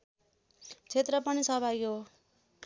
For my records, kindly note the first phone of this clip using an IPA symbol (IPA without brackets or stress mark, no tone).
t͡sʰ